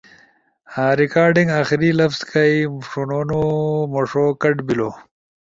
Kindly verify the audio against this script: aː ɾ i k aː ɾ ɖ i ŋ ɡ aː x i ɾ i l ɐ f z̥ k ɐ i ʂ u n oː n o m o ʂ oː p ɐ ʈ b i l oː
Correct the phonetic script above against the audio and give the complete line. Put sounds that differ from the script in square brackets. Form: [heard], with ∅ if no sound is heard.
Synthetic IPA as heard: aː ɾ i k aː ɾ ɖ i ŋ ɡ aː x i ɾ i l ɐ f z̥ k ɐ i ʂ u n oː n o m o ʂ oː [k] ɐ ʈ b i l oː